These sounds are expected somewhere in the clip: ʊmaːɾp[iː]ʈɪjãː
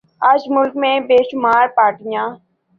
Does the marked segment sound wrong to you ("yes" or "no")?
yes